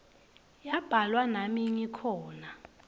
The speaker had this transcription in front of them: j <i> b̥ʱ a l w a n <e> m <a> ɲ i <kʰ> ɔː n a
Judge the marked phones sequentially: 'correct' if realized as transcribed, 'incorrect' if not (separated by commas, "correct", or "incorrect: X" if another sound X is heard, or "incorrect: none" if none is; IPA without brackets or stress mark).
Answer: incorrect: a, incorrect: a, incorrect: i, correct